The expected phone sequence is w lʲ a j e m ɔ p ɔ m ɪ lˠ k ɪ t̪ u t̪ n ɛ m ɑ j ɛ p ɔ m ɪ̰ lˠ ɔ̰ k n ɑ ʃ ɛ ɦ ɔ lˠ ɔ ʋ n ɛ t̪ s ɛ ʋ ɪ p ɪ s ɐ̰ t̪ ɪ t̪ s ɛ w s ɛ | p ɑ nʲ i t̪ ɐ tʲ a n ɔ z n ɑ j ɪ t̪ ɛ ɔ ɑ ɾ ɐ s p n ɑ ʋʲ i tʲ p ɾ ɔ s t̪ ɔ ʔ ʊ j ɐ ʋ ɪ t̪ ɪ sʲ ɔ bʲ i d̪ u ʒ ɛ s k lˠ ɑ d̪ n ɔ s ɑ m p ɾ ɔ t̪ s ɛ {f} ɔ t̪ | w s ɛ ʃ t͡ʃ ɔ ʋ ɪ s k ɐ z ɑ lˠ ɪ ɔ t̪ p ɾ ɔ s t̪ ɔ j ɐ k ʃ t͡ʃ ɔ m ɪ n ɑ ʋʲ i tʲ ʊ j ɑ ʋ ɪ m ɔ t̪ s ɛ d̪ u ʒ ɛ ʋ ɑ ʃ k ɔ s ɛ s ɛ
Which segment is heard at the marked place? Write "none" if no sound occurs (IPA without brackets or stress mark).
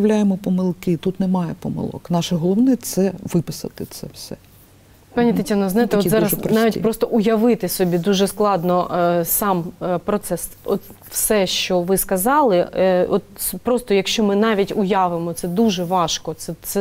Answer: s